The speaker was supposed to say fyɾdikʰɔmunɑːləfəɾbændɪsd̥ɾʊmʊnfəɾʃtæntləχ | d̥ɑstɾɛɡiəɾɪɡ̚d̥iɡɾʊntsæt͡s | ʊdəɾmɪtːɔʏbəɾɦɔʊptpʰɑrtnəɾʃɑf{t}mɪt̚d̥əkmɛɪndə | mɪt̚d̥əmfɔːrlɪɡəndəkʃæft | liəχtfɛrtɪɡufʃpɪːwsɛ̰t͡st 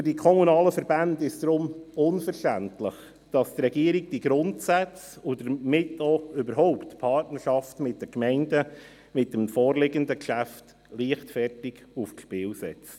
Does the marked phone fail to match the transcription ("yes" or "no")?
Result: no